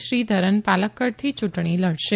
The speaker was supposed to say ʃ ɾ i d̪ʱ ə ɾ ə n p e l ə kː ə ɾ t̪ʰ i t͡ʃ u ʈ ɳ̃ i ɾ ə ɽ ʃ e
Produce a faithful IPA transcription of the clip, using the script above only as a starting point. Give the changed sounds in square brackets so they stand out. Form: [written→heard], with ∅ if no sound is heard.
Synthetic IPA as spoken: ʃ ɾ i d̪ʱ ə ɾ ə n p [e→a] l ə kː ə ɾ t̪ʰ i t͡ʃ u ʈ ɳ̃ i [ɾ→l] ə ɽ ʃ e